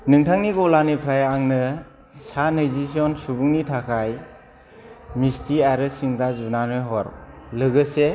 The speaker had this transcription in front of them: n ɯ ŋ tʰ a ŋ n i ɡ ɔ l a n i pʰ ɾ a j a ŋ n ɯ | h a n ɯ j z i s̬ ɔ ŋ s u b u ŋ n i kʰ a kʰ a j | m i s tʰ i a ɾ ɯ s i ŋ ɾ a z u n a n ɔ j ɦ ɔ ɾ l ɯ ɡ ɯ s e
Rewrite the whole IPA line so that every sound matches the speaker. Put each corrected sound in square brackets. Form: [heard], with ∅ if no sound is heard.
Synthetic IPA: n ɯ ŋ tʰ a ŋ n i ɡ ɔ l a n i pʰ ɾ a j a ŋ n ɯ | [s] a n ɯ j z i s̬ ɔ [n] s u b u ŋ n i [tʰ] a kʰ a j | m i s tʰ i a ɾ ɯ s i ŋ ɾ a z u n a n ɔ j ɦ ɔ ɾ l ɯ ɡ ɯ s e